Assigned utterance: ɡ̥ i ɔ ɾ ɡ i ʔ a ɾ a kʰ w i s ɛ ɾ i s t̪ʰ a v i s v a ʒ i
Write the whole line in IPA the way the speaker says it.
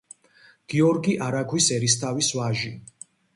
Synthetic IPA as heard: ɡ̥ i ɔ ɾ ɡ i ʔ a ɾ a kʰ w i s ɛ ɾ i s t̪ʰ a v i s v a ʒ i